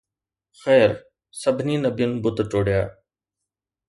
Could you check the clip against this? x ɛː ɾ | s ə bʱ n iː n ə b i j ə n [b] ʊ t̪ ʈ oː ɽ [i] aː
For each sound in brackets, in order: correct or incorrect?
correct, incorrect: j

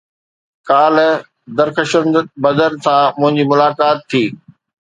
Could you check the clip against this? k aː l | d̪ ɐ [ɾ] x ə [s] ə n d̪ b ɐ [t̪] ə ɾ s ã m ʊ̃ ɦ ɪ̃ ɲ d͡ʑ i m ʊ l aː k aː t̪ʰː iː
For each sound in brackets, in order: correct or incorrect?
correct, incorrect: ʃ, incorrect: d̪

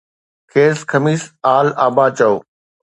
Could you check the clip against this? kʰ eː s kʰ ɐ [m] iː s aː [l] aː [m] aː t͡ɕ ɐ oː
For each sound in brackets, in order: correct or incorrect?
correct, correct, incorrect: b

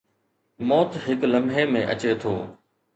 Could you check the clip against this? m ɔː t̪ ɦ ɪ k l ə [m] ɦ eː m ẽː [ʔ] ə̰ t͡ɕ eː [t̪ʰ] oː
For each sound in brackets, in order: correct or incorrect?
correct, correct, correct

